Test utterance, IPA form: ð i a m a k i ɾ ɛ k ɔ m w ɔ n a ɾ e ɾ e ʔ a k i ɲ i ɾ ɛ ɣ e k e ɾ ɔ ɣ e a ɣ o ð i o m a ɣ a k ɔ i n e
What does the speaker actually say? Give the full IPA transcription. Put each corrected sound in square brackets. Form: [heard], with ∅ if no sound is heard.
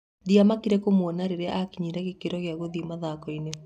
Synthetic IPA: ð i a m a k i ɾ ɛ k [o] m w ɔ n a ɾ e ɾ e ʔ a k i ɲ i ɾ ɛ ɣ e k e ɾ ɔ ɣ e a ɣ o ð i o m a [ð] a k ɔ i n e